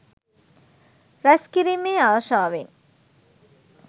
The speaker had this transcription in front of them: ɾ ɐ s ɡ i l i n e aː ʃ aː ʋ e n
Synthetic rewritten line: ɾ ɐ s k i ɾ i m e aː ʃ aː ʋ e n

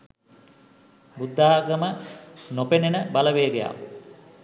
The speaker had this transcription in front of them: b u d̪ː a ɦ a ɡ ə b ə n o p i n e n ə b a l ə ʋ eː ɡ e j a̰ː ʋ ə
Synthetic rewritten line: b u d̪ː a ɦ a ɡ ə m ə n o p e n e n ə b a l ə ʋ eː ɡ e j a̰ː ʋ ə

